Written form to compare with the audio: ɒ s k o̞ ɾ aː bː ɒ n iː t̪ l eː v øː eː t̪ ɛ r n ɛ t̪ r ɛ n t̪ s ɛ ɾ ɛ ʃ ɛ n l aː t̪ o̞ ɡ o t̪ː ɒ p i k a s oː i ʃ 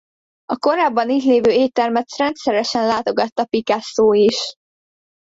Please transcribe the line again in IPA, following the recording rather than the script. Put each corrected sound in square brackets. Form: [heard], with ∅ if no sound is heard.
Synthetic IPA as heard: ɒ [∅] k o̞ ɾ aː bː ɒ n iː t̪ l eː v øː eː t̪ ɛ r [m] ɛ t̪ r ɛ n t̪ s ɛ ɾ ɛ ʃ ɛ n l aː t̪ o̞ ɡ [ɒ] t̪ː ɒ p i k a s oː i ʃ